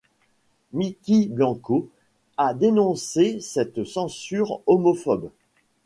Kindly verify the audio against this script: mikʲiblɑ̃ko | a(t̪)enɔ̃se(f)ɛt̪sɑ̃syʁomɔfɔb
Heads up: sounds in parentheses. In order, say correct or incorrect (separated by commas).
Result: incorrect, incorrect